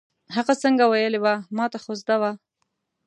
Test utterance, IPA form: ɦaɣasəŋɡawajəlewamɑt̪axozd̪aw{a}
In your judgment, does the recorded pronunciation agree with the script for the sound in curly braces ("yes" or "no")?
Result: yes